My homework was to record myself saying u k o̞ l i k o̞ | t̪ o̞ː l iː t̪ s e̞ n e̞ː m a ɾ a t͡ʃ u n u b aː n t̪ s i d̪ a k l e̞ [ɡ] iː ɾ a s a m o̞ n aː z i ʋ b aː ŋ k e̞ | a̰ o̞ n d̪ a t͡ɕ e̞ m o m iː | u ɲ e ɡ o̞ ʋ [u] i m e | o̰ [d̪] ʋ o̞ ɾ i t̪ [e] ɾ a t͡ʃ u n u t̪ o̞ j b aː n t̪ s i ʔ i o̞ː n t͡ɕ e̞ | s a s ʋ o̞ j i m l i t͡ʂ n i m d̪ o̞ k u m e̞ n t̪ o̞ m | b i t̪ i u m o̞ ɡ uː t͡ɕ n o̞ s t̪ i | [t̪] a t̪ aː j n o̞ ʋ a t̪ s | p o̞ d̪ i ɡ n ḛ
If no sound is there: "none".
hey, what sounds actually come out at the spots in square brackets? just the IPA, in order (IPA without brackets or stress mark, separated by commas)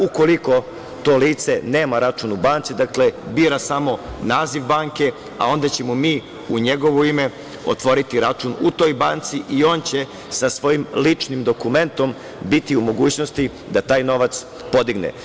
b, o, t̪, i, d̪